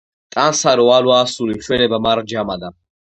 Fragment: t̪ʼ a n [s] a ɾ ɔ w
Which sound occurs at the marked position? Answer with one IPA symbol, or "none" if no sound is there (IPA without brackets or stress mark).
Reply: s